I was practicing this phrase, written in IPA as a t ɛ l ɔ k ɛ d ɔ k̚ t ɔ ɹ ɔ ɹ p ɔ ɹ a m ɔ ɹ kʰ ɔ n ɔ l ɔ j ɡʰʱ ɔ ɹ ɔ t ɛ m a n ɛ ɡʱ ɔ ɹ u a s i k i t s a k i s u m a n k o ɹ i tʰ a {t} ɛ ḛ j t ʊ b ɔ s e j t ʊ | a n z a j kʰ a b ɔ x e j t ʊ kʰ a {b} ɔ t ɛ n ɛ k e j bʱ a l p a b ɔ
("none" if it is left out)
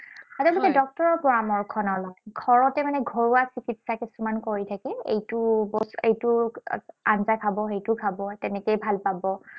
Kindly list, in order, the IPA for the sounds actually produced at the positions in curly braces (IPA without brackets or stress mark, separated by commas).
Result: k, b